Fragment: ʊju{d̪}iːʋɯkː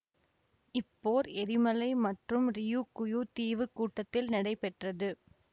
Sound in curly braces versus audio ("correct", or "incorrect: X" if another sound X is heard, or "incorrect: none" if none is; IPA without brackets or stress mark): incorrect: t̪